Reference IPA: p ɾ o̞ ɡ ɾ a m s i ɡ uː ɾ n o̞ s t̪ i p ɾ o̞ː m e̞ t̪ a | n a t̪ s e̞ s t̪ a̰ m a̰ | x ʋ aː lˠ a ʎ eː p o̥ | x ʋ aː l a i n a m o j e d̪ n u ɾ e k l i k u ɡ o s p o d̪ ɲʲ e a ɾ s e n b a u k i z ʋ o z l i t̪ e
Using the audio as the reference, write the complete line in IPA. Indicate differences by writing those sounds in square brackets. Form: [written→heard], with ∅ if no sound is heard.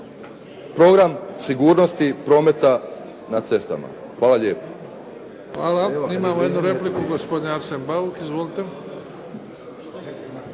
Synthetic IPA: p ɾ o̞ ɡ ɾ a m s i ɡ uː ɾ n o̞ s t̪ i p ɾ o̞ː m e̞ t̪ a | n a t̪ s e̞ s t̪ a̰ m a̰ | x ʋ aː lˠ a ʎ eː p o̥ | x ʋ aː l a i [n→m] a m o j e d̪ n u ɾ e [k→p] l i k u ɡ o s p o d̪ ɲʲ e a ɾ s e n b a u k i z ʋ o [z→∅] l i t̪ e

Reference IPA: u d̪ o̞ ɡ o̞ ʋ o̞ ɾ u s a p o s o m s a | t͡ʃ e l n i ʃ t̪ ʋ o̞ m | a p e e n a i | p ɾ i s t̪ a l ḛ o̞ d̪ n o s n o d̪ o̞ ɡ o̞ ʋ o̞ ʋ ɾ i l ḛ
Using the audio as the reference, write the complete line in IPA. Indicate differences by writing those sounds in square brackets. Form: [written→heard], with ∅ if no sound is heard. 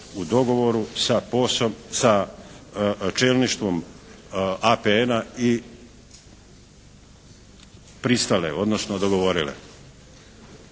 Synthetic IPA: u d̪ o̞ ɡ o̞ ʋ o̞ ɾ u s a p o s o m s a | t͡ʃ e l n i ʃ t̪ ʋ o̞ m | a p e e n a i | p ɾ i s t̪ a l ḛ o̞ d̪ n o s n o d̪ o̞ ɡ o̞ ʋ o̞ [ʋ→∅] ɾ i l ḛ

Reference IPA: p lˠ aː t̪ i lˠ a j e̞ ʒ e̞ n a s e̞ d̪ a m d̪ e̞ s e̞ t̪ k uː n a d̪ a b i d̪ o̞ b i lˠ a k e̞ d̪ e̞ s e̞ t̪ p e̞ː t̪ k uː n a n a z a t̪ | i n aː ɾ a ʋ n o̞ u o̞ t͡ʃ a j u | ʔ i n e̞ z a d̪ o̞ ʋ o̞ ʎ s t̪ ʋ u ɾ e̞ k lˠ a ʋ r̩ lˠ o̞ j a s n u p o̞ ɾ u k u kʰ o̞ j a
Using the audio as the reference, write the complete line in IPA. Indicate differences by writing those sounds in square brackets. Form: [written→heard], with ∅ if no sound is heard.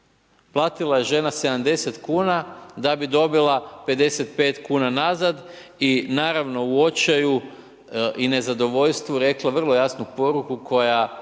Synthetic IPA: p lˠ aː t̪ i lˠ a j e̞ ʒ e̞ n a s e̞ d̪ a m d̪ e̞ s e̞ t̪ k uː n a d̪ a b i d̪ o̞ b i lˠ a [k→p] e̞ d̪ e̞ s e̞ t̪ p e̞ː t̪ k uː n a n a z a [t̪→d̪] | i n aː ɾ a ʋ n o̞ u o̞ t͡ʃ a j u | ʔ i n e̞ z a d̪ o̞ ʋ o̞ ʎ s t̪ ʋ u ɾ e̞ k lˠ a ʋ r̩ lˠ o̞ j a s n u p o̞ ɾ u k u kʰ o̞ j a

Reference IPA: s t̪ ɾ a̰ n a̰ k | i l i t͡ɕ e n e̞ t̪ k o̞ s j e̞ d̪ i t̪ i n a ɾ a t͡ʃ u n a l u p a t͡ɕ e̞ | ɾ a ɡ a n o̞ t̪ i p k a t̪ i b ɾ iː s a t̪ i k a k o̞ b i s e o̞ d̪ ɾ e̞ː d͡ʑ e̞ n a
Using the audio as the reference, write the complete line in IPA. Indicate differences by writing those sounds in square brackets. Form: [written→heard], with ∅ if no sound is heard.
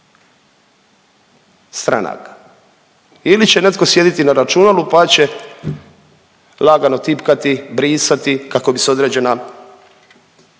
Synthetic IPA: s t̪ ɾ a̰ n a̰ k | i l i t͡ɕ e n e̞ t̪ k o̞ s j e̞ d̪ i t̪ i n a ɾ a t͡ʃ u n a l u p a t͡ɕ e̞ | [ɾ→l] a ɡ a n o̞ t̪ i p k a t̪ i b ɾ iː s a t̪ i k a k o̞ b i s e o̞ d̪ ɾ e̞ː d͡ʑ e̞ n a

